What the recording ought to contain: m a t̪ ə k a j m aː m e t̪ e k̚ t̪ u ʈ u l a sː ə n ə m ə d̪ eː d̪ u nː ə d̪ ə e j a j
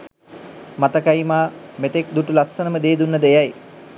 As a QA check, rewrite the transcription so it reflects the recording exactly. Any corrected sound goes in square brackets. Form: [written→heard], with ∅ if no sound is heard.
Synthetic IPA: m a t̪ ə k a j m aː m e t̪ e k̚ [t̪→d̪] u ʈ u l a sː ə n ə m ə d̪ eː d̪ u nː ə d̪ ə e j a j